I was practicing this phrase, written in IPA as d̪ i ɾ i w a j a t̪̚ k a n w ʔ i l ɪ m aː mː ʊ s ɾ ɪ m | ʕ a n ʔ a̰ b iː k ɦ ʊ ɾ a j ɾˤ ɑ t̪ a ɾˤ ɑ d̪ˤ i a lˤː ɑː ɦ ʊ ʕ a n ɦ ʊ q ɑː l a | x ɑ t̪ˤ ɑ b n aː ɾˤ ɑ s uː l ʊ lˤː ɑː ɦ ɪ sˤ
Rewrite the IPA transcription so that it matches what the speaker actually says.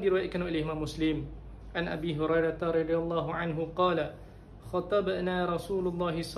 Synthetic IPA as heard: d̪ i ɾ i w a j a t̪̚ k a n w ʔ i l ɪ m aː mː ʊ s l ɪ m | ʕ a n ʔ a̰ b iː ɦ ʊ ɾ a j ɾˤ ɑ t̪ a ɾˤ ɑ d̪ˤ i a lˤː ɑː ɦ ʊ ʕ a n ɦ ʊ q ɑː l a | x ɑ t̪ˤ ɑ b n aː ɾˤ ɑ s uː l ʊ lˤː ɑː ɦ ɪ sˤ